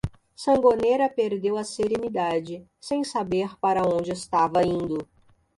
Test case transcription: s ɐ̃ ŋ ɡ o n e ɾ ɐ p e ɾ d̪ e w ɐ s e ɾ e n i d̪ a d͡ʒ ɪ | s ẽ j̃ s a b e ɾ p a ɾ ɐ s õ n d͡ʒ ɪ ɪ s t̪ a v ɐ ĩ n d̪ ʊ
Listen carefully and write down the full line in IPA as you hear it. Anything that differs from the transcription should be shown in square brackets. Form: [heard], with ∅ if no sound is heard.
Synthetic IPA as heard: s ɐ̃ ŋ ɡ o n e ɾ ɐ p e ɾ d̪ e w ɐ s e ɾ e n i d̪ a d͡ʒ ɪ | s ẽ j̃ s a b e ɾ p a ɾ ɐ [∅] õ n d͡ʒ ɪ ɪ s t̪ a v ɐ ĩ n d̪ ʊ